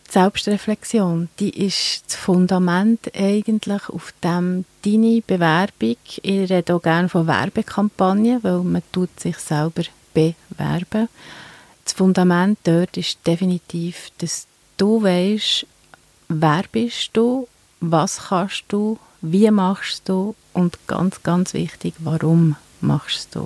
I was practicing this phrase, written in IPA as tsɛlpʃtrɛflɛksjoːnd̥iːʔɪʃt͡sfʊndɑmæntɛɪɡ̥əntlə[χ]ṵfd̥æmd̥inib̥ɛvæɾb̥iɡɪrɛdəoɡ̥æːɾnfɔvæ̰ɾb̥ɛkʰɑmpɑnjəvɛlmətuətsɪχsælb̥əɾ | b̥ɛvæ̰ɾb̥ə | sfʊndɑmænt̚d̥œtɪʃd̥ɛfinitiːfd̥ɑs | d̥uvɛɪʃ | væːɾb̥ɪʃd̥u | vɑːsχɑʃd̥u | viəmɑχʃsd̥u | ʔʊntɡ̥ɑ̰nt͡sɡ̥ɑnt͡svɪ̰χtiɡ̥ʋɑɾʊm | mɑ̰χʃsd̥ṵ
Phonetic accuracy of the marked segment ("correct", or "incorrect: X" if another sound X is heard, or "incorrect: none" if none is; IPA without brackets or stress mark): correct